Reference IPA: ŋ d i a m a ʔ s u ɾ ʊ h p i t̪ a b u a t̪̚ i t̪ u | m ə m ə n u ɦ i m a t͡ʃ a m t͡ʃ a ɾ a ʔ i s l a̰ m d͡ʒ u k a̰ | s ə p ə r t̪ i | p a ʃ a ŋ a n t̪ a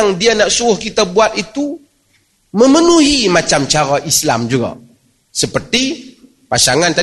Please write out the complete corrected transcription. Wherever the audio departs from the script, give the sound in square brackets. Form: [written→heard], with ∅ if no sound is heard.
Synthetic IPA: ŋ d i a [m→n] a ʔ s u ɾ ʊ h [p→k] i t̪ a b u a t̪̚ i t̪ u | m ə m ə n u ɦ i m a t͡ʃ a m t͡ʃ a ɾ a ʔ i s l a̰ m d͡ʒ u [k→ɡ] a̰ | s ə p ə r t̪ i | p a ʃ a ŋ a n t̪ a